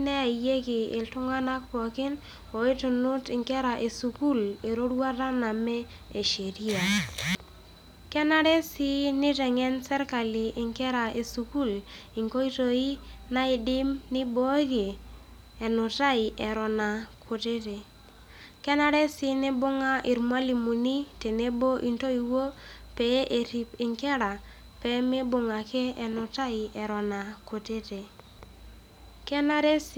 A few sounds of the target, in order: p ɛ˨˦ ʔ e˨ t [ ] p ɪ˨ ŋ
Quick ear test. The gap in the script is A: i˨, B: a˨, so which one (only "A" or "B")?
A